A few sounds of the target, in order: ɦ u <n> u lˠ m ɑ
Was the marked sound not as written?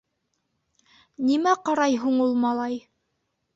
yes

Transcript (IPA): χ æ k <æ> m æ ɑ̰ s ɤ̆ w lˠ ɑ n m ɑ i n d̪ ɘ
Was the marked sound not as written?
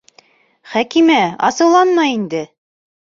yes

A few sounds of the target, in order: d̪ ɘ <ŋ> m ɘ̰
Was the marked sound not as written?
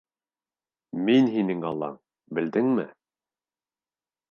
no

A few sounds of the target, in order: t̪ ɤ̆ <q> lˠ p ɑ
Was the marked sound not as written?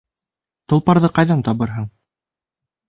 yes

